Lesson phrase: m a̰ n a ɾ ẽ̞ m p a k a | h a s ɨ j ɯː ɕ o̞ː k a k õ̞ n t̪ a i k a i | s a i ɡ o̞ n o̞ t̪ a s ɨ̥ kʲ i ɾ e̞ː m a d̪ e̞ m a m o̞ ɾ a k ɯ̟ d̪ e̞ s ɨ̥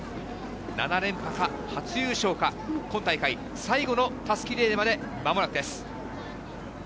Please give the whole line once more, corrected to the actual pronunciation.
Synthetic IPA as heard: n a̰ n a ɾ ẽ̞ m p a k a | h a t͡s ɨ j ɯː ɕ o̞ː k a k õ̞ n t̪ a i k a i | s a i ɡ o̞ n o̞ t̪ a s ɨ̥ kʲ i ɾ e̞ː m a d̪ e̞ m a m o̞ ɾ a k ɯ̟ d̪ e̞ s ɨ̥

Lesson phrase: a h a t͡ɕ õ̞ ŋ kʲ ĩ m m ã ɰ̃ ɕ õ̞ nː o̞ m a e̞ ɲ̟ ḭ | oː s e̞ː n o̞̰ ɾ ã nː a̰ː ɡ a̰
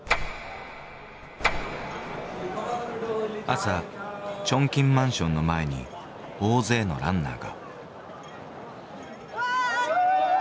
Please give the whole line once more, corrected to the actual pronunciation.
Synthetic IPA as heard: a s a t͡ɕ õ̞ ŋ kʲ ĩ m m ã ɰ̃ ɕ õ̞ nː o̞ m a e̞ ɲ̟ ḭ | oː z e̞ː n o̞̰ ɾ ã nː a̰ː ɡ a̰

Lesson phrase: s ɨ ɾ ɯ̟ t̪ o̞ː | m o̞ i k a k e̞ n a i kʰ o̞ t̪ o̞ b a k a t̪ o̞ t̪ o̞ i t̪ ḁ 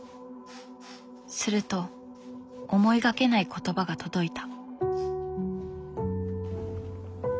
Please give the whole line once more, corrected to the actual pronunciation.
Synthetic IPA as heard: s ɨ ɾ ɯ̟ t̪ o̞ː | m o̞ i ɡ a k e̞ n a i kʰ o̞ t̪ o̞ b a ɡ a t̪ o̞ d̪ o̞ i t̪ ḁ

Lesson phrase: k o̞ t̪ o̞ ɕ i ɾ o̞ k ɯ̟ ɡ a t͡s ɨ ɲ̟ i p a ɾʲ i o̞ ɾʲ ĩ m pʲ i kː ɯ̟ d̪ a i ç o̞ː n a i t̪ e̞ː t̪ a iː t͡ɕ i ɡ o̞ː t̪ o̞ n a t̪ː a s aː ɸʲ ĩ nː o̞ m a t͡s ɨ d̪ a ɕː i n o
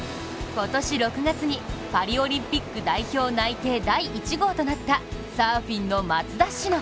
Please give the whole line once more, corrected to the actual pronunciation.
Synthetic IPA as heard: k o̞ t̪ o̞ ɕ i ɾ o̞ k ɯ̟ ɡ a t͡s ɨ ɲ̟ i p a ɾʲ i o̞ ɾʲ ĩ m pʲ i kː ɯ̟ d̪ a i ç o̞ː n a i t̪ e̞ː d̪ a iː t͡ɕ i ɡ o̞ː t̪ o̞ n a t̪ː a s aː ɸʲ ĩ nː o̞ m a t͡s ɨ d̪ a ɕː i n o

